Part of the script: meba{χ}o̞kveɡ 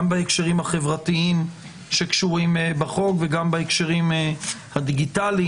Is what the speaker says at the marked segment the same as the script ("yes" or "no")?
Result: yes